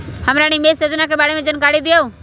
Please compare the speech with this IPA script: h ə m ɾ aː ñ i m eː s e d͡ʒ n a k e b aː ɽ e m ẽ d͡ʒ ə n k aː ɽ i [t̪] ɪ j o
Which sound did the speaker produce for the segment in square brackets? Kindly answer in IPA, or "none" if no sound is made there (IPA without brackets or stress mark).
d̪